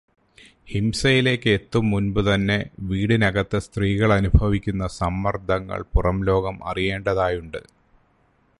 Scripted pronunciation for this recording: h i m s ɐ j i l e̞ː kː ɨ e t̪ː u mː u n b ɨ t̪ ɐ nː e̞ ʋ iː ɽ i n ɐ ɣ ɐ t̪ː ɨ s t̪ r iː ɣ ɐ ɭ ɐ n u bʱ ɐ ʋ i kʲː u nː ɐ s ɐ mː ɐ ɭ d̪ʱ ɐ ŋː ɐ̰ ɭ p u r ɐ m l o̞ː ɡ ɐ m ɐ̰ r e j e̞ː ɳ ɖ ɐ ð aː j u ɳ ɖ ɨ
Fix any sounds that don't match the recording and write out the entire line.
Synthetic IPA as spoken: h i m s ɐ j i l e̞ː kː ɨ e t̪ː u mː u n b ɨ t̪ ɐ nː e̞ ʋ iː ɽ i n ɐ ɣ ɐ t̪ː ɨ s t̪ r iː ɣ ɐ ɭ ɐ n u bʱ ɐ ʋ i kʲː u nː ɐ s ɐ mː ɐ r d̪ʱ ɐ ŋː ɐ̰ ɭ p u r ɐ m l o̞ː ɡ ɐ m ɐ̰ r i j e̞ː ɳ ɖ ɐ ð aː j u ɳ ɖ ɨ

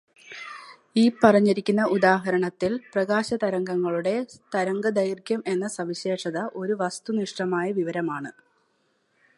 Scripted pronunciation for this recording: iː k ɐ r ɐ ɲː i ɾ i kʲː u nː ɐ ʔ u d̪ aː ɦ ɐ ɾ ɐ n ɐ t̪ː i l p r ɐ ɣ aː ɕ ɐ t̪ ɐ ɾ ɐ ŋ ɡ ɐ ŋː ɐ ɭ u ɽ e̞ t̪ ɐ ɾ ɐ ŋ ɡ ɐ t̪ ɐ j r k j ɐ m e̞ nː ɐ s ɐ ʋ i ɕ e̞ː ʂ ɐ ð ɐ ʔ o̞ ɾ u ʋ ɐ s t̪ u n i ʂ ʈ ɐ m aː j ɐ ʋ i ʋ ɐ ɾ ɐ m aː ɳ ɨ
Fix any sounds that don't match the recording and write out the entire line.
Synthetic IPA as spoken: iː p ɐ r ɐ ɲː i ɾ i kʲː u nː ɐ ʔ u d̪ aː ɦ ɐ ɾ ɐ ɳ ɐ t̪ː i l p r ɐ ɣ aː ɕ ɐ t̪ ɐ ɾ ɐ ŋ ɡ ɐ ŋː ɐ ɭ u ɽ e̞ t̪ ɐ ɾ ɐ ŋ ɡ ɐ d̪ ɐ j r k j ɐ m e̞ nː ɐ s ɐ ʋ i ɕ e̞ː ʂ ɐ ð ɐ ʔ o̞ ɾ u ʋ ɐ s t̪ u n i ʂ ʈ ɐ m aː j ɐ ʋ i ʋ ɐ ɾ ɐ m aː ɳ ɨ

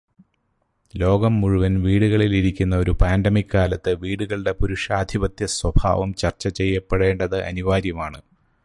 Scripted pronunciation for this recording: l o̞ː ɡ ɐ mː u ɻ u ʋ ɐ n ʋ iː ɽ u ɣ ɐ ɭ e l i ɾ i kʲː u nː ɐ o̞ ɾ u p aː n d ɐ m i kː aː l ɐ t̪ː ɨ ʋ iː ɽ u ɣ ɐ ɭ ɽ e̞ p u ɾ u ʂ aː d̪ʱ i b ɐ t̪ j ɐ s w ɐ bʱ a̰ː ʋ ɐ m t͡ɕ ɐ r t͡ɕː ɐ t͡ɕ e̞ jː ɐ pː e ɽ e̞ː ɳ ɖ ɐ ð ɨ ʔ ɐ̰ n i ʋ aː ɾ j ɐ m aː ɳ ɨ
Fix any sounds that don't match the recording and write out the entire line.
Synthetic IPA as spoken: l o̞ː ɡ ɐ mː u ɻ u ʋ ɐ n ʋ iː ɽ u ɣ ɐ ɭ i l i ɾ i kʲː u nː ɐ o̞ ɾ u p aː n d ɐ m i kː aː l ɐ t̪ː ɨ ʋ iː ɽ u ɣ ɐ ɭ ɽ e̞ p u ɾ u ʂ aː d̪ʱ i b ɐ t̪ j ɐ s w ɐ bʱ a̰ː ʋ ɐ m t͡ɕ ɐ r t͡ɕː ɐ t͡ɕ e̞ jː ɐ pː e ɽ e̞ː ɳ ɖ ɐ ð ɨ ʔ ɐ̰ n i ʋ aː ɾ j ɐ m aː ɳ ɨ

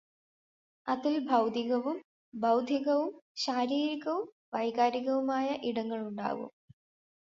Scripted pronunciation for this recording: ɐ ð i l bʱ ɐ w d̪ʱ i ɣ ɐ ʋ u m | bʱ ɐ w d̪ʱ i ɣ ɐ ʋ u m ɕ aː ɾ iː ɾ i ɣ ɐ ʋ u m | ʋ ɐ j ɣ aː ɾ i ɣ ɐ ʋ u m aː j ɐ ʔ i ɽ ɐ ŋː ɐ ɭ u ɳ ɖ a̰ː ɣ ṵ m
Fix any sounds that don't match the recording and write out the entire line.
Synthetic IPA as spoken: ɐ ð i l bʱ ɐ w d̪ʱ i ɣ ɐ ʋ u m | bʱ ɐ w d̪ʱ i ɣ ɐ ʋ u m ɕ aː ɾ iː ɾ i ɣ ɐ ʋ u m | ʋ ɐ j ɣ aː ɾ i ɣ ɐ ʋ u m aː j ɐ ʔ i ɽ ɐ ŋː ɐ ɭ u ɳ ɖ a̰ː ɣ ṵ m

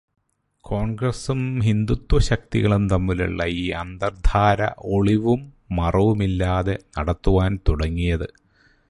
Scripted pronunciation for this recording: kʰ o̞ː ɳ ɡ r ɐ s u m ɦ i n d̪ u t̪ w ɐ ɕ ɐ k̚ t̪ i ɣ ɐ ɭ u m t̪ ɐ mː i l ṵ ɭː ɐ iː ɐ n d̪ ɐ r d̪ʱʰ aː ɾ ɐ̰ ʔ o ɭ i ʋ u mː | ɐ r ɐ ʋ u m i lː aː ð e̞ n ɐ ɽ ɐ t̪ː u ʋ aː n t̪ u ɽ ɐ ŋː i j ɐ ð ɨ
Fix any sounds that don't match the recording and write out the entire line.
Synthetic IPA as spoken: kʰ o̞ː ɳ ɡ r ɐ s u m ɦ i n d̪ u t̪ w ɐ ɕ ɐ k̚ t̪ i ɣ ɐ ɭ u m t̪ ɐ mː i l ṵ ɭː ɐ iː ɐ n d̪ ɐ r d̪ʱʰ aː ɾ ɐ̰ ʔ o ɭ i ʋ u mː | ɐ r ɐ ʋ u m i lː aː ð e̞ n ɐ ɽ ɐ t̪ː u ʋ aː n t̪ u ɽ ɐ ŋː i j ɐ ð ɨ

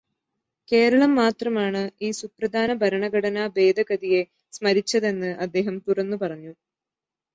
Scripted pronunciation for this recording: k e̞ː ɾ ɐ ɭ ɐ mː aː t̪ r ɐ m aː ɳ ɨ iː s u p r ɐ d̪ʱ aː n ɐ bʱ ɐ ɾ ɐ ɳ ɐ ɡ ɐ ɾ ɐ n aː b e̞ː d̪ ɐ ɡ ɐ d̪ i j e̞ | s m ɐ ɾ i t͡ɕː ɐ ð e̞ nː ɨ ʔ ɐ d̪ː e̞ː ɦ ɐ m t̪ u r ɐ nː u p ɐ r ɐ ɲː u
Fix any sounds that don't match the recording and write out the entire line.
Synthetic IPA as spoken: k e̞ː ɾ ɐ ɭ ɐ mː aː t̪ r ɐ m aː ɳ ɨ iː s u p r ɐ d̪ʱ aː n ɐ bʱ ɐ ɾ ɐ ɳ ɐ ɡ ɐ ɽ ɐ n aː b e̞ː d̪ ɐ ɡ ɐ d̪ i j e̞ | s m ɐ ɾ i t͡ɕː ɐ ð e̞ nː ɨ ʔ ɐ d̪ː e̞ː ɦ ɐ m t̪ u r ɐ nː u p ɐ r ɐ ɲː u

